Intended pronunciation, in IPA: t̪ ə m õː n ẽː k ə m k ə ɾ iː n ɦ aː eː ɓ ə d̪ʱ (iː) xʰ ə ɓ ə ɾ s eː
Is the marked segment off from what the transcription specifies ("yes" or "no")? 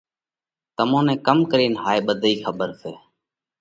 no